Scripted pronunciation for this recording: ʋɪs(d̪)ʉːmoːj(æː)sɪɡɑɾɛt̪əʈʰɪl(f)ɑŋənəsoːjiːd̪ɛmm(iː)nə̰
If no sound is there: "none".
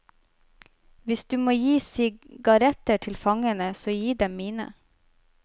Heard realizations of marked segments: d̪, iː, f, iː

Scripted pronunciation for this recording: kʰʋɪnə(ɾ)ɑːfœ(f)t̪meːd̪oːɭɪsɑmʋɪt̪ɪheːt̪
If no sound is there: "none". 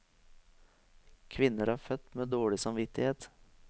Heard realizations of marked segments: ɾ, none

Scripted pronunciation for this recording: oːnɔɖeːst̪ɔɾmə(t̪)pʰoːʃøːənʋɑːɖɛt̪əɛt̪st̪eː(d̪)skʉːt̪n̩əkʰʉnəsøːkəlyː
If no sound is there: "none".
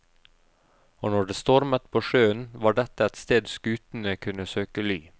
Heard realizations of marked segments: t̪, d̪

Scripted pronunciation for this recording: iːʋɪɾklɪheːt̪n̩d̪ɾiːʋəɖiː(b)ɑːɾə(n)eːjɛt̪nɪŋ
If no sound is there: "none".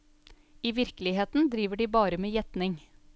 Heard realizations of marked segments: b, m

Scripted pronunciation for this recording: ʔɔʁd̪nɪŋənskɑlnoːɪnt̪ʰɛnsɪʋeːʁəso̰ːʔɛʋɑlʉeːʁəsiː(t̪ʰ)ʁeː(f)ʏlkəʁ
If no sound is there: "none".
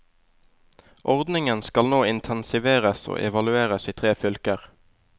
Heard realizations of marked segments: t̪ʰ, f

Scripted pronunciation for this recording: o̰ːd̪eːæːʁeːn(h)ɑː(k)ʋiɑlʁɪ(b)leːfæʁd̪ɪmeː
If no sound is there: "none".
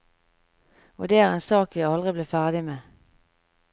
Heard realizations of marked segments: s, k, b

